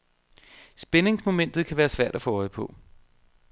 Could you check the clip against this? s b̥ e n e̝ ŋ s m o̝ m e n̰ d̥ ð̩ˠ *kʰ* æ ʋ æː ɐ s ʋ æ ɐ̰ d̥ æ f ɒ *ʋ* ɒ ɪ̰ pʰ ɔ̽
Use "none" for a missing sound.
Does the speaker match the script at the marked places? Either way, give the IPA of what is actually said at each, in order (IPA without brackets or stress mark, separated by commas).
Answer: kʰ, none